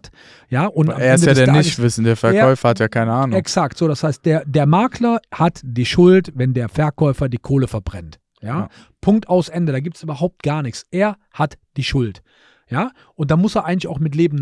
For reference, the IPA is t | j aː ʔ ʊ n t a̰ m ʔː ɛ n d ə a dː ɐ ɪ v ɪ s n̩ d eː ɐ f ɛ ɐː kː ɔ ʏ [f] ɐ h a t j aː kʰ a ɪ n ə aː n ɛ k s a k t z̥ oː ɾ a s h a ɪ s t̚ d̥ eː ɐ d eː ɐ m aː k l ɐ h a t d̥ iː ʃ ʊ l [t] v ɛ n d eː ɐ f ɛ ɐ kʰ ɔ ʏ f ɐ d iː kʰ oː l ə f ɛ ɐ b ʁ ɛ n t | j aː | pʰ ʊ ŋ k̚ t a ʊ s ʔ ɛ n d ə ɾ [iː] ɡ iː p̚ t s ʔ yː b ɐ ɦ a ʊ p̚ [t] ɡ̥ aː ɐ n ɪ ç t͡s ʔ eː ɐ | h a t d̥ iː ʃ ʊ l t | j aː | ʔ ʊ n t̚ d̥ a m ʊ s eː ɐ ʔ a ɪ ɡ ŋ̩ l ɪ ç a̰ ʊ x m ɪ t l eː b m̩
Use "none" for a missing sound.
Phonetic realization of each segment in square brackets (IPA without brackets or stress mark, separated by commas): f, t, aː, t